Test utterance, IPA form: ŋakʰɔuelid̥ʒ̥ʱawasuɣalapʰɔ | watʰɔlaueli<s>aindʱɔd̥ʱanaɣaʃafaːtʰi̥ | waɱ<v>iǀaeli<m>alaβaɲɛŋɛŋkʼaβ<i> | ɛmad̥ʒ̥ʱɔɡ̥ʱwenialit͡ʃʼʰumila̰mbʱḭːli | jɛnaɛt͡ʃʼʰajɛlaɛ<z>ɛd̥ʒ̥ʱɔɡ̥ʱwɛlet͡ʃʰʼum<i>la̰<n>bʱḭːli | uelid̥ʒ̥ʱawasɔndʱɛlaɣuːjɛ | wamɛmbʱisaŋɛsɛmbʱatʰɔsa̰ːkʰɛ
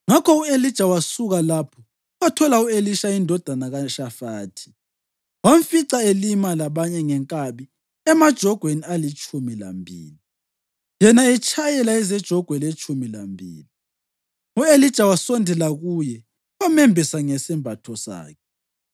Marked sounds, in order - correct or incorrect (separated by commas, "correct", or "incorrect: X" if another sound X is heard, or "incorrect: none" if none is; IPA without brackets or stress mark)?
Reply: incorrect: ʃ, incorrect: f, correct, correct, correct, correct, incorrect: m